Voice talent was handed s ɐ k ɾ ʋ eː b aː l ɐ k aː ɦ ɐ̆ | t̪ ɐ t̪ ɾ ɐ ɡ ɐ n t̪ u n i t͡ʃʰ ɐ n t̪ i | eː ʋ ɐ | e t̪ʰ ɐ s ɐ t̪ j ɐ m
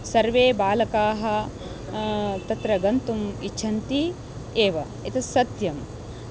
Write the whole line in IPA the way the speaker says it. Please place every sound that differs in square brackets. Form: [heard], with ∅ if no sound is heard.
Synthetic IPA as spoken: s ɐ [∅] ɾ ʋ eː b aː l ɐ k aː ɦ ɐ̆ | t̪ ɐ t̪ ɾ ɐ ɡ ɐ n t̪ u [m] i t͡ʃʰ ɐ n t̪ i | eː ʋ ɐ | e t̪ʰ ɐ s ɐ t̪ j ɐ m

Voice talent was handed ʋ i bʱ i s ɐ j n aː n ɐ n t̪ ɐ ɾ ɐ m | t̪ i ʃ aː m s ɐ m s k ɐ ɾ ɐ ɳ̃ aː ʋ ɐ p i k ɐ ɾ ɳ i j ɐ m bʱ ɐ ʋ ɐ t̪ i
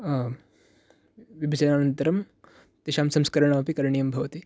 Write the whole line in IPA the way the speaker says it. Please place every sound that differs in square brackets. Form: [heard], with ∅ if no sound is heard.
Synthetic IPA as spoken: ʋ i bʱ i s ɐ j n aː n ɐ n t̪ ɐ ɾ ɐ m | t̪ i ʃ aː m s ɐ m s k ɐ ɾ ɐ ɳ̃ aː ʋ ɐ p i k ɐ ɾ ɳ i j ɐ m bʱ ɐ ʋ ɐ t̪ i

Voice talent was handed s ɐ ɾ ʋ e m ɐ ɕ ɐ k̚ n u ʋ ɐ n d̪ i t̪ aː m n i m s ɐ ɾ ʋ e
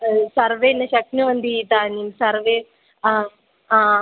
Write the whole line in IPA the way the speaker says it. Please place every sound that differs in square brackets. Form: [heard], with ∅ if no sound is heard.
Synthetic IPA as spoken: s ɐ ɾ ʋ e [n] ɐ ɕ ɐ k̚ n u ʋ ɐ n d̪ i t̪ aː [∅] n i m s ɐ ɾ ʋ e

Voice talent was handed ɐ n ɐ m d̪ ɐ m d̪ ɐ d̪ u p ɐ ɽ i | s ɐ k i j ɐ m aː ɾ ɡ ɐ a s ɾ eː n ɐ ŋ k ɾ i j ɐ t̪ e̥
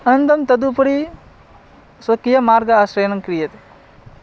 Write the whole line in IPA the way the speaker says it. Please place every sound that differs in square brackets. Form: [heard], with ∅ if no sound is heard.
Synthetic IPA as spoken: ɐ n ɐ [n] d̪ ɐ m [t̪] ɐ d̪ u p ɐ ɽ i | s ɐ k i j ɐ m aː ɾ ɡ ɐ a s ɾ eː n ɐ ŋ k ɾ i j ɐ t̪ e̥

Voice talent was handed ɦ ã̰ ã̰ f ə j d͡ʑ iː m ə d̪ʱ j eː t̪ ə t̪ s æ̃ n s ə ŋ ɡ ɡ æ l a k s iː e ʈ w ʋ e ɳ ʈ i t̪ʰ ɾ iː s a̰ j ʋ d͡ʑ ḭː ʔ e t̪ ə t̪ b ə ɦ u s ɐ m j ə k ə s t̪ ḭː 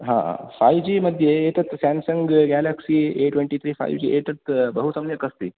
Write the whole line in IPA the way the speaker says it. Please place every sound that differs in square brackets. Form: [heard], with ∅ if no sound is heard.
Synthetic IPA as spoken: ɦ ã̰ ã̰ f [a] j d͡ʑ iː m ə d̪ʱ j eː t̪ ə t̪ s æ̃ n s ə ŋ ɡ ɡ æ l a k s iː e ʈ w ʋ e ɳ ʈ i t̪ʰ ɾ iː [f] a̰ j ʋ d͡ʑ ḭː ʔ e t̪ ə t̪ b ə ɦ u s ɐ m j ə k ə s t̪ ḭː

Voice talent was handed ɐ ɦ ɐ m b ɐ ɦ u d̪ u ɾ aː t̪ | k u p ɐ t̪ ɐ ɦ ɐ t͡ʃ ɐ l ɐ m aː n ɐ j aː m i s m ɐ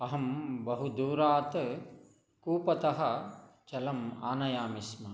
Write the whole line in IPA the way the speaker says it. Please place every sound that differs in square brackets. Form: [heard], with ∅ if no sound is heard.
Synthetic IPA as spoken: ɐ ɦ ɐ m b ɐ ɦ u d̪ [uː] ɾ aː t̪ | k [uː] p ɐ t̪ ɐ ɦ ɐ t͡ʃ ɐ l ɐ m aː n ɐ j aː m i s m ɐ

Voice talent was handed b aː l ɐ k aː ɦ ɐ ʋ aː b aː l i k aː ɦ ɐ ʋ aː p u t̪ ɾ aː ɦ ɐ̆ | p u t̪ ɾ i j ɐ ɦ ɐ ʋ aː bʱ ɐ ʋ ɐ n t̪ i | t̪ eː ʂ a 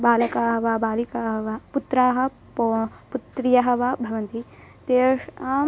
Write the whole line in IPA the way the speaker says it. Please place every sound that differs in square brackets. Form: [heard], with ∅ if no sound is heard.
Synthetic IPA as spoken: b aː l ɐ k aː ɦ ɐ ʋ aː b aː l i k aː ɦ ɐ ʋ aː p u t̪ ɾ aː ɦ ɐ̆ | p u t̪ ɾ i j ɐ ɦ ɐ ʋ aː bʱ ɐ ʋ ɐ n t̪ i | t̪ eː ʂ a

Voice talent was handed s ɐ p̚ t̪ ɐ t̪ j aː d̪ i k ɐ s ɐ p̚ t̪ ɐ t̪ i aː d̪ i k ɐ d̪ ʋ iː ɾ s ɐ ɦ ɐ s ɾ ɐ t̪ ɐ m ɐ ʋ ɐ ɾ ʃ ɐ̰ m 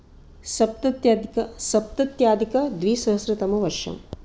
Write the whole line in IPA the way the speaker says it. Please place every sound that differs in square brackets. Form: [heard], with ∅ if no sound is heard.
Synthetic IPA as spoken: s ɐ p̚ t̪ ɐ t̪ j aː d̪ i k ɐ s ɐ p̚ t̪ ɐ t̪ [j] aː d̪ i k ɐ d̪ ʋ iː [∅] s ɐ ɦ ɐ s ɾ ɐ t̪ ɐ m ɐ ʋ ɐ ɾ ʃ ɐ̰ m

